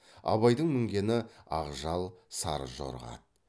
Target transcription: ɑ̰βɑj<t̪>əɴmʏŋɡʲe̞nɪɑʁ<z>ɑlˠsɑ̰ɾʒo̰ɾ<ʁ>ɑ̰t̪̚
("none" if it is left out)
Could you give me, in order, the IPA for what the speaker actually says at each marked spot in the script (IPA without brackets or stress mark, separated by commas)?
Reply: d̪, ʒ, ʁ